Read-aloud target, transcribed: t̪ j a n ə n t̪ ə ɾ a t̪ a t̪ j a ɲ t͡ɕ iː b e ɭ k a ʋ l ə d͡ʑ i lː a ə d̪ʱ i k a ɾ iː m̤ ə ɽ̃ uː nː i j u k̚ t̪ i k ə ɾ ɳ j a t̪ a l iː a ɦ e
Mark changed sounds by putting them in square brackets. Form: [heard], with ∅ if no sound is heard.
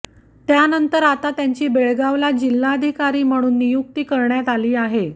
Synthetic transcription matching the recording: t̪ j a n ə n t̪ ə ɾ a t̪ a t̪ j a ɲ t͡ɕ iː b e ɭ [ɡ] a ʋ l [a] d͡ʑ i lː a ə d̪ʱ i k a ɾ iː m̤ ə ɽ̃ uː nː i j u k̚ t̪ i k ə ɾ ɳ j a t̪ a l iː a ɦ e